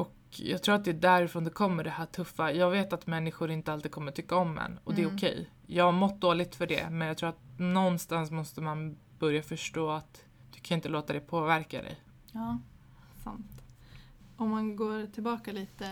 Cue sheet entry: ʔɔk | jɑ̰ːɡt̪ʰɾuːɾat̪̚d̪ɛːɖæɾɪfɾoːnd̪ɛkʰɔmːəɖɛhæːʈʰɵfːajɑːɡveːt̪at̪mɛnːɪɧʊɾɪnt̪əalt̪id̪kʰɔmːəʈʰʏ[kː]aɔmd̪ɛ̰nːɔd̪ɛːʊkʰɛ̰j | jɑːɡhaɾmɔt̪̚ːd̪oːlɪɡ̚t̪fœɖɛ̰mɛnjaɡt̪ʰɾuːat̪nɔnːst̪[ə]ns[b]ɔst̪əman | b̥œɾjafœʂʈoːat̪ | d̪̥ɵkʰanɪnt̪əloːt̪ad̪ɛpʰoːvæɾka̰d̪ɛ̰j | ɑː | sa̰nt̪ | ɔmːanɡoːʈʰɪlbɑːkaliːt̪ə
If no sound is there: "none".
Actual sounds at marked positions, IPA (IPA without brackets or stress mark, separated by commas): kː, a, m